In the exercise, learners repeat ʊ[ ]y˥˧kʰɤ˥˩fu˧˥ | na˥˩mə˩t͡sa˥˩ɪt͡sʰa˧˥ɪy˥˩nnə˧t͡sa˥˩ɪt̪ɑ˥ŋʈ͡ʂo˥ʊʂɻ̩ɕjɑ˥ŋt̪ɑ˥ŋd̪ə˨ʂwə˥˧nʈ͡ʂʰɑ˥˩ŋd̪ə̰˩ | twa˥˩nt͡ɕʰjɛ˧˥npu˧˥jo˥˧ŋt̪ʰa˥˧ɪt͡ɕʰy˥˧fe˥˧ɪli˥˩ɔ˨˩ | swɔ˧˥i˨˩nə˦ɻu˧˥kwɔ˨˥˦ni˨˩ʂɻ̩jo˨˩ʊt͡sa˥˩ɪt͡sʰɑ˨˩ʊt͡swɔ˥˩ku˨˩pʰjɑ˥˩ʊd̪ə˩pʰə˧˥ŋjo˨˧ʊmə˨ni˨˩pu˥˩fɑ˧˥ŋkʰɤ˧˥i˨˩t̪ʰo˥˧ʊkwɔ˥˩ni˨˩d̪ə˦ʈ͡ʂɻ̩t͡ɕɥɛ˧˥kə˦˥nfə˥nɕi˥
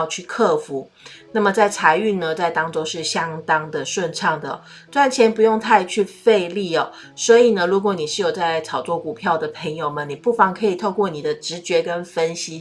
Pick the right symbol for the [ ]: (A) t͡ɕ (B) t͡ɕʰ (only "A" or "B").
B